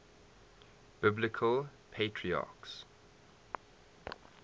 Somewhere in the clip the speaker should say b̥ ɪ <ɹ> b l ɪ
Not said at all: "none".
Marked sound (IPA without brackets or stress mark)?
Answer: none